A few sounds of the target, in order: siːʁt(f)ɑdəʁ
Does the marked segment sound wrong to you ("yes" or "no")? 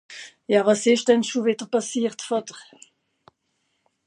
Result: no